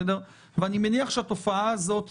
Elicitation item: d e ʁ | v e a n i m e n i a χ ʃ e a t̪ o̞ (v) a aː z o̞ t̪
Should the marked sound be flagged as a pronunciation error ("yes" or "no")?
yes